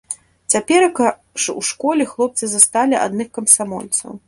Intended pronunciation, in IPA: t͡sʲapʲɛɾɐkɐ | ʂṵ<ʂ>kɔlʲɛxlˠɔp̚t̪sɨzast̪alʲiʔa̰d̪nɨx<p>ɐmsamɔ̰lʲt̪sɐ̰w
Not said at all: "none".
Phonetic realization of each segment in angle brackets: ʂ, k

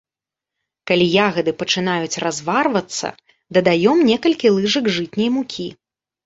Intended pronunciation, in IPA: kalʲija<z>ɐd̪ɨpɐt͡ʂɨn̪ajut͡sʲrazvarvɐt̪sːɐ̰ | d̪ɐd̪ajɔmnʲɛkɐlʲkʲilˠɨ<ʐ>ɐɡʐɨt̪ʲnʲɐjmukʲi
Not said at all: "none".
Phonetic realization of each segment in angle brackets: ɣ, ʐ

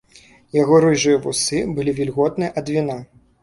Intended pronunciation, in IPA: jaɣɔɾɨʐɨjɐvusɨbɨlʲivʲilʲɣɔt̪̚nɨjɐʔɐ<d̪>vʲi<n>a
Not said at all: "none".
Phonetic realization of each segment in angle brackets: d̪, n

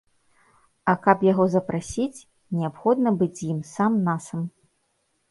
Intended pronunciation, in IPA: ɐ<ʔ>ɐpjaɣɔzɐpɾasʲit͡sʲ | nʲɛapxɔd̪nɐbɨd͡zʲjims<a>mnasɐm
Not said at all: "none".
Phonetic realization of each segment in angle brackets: k, a

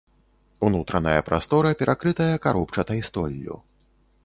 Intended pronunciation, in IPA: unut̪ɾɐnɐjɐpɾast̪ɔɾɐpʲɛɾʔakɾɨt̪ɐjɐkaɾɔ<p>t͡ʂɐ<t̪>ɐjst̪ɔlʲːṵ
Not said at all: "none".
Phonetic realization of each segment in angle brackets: p, t̪

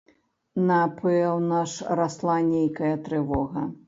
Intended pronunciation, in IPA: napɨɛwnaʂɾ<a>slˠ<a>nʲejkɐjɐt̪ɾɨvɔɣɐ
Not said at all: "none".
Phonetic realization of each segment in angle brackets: a, a

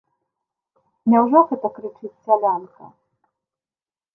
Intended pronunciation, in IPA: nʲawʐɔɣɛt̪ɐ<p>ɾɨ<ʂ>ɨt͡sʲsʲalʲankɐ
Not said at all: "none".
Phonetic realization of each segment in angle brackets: k, t͡ʂ

